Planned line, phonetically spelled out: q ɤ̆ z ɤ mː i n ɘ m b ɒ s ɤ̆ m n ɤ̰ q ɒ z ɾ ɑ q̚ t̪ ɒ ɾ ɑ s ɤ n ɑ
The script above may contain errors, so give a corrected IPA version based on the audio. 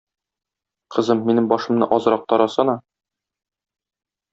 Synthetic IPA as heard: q ɤ̆ z ɤ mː i n ɘ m b ɒ ʃ ɤ̆ m n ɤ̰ ʔ ɒ z ɾ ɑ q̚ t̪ ɒ ɾ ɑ s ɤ n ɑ